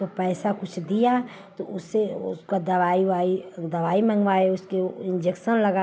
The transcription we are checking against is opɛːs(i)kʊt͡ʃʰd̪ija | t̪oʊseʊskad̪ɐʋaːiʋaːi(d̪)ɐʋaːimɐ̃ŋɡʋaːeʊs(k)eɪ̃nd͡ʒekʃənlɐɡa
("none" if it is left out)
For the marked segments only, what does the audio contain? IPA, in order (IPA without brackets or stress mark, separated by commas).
a, d̪, k